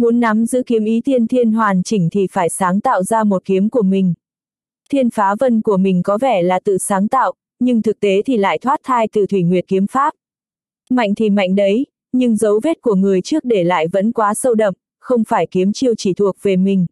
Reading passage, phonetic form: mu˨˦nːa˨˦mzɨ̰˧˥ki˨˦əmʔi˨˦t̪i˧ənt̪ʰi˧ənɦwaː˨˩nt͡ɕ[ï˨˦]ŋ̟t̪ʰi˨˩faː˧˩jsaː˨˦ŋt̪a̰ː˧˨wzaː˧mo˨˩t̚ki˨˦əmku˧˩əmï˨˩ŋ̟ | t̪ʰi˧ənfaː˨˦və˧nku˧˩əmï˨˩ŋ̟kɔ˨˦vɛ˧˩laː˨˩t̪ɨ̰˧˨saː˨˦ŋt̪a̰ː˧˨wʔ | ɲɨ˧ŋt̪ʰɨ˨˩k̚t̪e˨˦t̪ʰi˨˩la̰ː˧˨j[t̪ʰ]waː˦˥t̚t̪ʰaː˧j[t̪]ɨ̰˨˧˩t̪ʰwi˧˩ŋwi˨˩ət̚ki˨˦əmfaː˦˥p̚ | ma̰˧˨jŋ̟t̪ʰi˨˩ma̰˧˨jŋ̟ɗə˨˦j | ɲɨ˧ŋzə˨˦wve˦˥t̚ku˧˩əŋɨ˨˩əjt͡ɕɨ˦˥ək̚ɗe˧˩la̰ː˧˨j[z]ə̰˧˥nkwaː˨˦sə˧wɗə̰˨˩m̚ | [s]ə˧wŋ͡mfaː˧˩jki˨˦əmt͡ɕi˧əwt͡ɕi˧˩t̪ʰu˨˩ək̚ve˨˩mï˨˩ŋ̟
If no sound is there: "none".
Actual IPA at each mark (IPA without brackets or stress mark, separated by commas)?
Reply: ï˧˩, t̪ʰ, t̪, v, x